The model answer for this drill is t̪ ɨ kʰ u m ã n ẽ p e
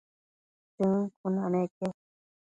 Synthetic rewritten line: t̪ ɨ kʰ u n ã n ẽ k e